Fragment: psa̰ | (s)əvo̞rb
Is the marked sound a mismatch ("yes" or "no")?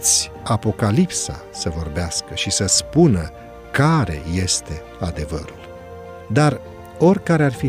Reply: no